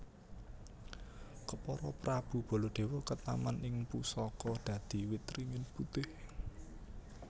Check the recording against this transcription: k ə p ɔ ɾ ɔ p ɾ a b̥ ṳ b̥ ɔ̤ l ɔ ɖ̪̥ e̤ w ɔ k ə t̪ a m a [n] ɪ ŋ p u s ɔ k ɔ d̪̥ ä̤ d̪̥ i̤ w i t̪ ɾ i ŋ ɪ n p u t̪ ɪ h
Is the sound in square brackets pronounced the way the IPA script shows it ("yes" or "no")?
yes